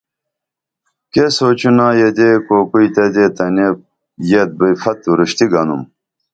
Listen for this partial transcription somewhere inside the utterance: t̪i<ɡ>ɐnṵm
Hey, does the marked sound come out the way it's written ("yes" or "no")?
yes